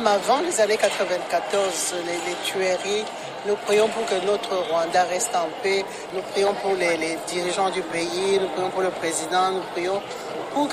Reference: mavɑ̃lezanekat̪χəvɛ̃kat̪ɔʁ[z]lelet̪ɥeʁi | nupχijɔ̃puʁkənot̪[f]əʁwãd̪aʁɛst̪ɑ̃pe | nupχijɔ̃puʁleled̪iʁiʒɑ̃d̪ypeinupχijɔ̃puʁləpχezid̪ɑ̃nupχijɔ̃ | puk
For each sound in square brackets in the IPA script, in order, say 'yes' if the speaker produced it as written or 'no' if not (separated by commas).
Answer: yes, no